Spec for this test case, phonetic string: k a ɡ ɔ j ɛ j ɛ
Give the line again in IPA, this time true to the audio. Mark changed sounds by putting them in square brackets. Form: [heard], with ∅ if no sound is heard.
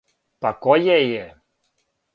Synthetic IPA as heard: [p] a [k] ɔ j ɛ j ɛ